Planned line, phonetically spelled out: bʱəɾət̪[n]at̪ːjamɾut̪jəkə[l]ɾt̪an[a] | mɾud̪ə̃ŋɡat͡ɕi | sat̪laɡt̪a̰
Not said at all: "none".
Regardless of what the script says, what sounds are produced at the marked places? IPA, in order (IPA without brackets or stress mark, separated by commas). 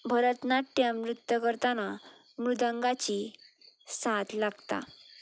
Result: n, none, a